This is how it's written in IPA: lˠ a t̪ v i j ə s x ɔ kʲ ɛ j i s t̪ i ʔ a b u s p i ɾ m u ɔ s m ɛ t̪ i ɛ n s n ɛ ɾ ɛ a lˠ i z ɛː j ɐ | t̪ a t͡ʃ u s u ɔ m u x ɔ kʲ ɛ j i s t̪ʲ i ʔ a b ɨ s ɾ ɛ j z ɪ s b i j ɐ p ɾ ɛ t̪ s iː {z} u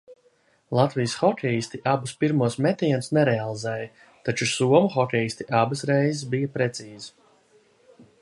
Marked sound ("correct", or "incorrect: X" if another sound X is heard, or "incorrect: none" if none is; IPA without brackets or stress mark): correct